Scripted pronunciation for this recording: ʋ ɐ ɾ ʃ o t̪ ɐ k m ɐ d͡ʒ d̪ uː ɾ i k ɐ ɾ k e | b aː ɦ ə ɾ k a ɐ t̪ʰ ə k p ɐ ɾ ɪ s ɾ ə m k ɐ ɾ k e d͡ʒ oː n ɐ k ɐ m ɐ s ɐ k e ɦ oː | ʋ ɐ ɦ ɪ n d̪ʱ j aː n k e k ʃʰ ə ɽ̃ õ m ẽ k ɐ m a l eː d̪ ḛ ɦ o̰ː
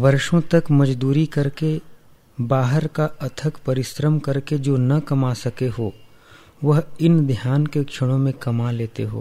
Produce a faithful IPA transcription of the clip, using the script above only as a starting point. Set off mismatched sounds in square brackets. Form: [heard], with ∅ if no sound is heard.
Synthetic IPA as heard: ʋ ɐ ɾ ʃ [õ] t̪ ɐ k m ɐ d͡ʒ d̪ uː ɾ i k ɐ ɾ k e | b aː ɦ ə ɾ k a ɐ t̪ʰ ə k p ɐ ɾ ɪ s ɾ ə m k ɐ ɾ k e d͡ʒ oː n ɐ k ɐ m [a] s ɐ k e ɦ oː | ʋ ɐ ɦ ɪ n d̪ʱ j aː n k e k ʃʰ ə ɽ̃ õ m ẽ k ɐ m a l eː [t̪] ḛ ɦ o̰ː